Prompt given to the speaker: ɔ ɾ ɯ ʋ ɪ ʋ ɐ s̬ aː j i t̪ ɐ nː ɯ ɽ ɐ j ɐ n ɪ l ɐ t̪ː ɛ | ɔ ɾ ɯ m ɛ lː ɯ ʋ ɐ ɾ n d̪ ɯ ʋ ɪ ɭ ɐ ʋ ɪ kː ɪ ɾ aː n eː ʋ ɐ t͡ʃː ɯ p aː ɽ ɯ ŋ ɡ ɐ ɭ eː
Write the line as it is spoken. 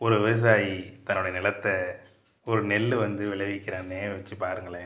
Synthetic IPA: ɔ ɾ ɯ ʋ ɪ ʋ ɐ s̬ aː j i t̪ ɐ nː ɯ ɽ ɐ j ɐ n ɪ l ɐ t̪ː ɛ | ɔ ɾ ɯ n ɛ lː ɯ ʋ ɐ n d̪ ɯ ʋ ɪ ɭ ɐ ʋ ɪ kː ɪ ɾ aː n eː ʋ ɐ t͡ʃː ɯ p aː ɾ ɯ ŋ ɡ ɐ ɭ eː